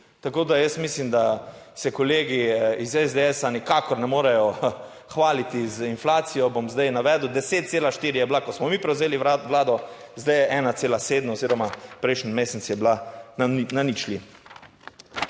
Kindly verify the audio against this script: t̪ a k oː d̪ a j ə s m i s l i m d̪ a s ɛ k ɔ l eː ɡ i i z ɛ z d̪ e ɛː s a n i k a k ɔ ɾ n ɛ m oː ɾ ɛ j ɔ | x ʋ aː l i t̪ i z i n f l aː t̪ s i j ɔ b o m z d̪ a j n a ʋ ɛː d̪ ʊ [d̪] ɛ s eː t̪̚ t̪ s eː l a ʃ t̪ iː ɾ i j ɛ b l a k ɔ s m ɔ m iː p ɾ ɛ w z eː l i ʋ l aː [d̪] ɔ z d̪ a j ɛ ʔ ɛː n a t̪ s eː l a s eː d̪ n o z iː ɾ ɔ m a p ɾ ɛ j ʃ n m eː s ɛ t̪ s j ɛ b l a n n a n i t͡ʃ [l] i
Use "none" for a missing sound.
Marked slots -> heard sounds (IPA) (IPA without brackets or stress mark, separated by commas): d̪, d̪, l